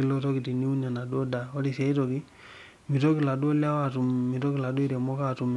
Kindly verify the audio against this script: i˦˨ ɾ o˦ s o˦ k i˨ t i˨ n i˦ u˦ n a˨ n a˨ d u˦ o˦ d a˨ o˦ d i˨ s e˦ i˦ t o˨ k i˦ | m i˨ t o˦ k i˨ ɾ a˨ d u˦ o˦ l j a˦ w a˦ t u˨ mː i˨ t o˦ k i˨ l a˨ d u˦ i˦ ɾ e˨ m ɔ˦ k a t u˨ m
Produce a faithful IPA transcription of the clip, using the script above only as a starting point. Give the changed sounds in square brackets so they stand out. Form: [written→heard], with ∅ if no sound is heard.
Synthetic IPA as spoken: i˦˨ [ɾ→l] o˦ [s→t] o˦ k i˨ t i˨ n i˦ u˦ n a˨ n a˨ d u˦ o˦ d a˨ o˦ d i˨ s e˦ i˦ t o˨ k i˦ | m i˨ t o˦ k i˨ [ɾ→l] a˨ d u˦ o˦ l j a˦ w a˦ t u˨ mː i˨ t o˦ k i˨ l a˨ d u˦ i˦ ɾ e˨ m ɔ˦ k a t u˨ m